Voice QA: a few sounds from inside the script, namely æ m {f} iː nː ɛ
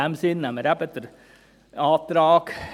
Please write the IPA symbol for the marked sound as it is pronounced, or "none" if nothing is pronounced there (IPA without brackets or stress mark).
s